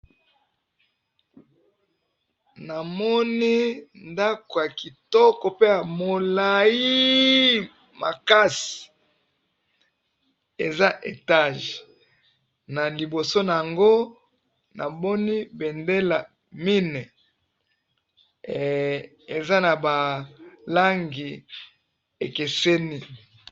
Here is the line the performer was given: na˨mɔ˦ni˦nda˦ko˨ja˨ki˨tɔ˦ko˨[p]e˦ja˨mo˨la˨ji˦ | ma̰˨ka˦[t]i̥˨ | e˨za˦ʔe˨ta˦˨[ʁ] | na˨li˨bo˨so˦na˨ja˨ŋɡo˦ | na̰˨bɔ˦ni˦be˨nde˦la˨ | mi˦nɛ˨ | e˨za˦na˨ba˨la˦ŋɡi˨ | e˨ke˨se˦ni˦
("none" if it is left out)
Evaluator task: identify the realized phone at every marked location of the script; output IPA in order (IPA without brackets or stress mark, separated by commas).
p, s, ʒ